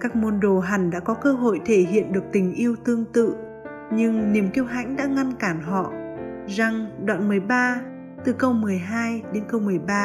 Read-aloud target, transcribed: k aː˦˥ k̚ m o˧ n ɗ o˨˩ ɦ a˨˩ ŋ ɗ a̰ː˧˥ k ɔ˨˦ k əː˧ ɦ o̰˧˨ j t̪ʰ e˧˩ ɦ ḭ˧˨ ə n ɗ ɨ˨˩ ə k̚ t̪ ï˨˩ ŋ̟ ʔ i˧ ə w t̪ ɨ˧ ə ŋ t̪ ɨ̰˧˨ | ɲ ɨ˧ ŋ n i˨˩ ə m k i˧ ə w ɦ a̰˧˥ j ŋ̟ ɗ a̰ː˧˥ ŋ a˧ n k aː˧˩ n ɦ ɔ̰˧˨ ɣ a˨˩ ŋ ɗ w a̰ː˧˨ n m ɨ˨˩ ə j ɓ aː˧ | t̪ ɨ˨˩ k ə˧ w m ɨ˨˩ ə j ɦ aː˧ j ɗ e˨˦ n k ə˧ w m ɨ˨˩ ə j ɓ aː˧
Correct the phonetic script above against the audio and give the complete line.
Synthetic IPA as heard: k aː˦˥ k̚ m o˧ n ɗ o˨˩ ɦ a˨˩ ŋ ɗ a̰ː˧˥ k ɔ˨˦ k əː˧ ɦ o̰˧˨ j t̪ʰ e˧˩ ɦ ḭ˧˨ ə n ɗ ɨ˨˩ ə k̚ t̪ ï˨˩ ŋ̟ ʔ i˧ ə w t̪ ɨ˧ ə ŋ t̪ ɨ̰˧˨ | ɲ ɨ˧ ŋ n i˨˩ ə m k i˧ ə w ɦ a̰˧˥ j ŋ̟ ɗ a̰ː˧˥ ŋ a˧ n k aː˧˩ n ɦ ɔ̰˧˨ z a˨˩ ŋ ɗ w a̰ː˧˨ n m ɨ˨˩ ə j ɓ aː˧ | t̪ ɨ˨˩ k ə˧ w m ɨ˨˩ ə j ɦ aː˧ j ɗ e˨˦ n k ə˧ w m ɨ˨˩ ə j ɓ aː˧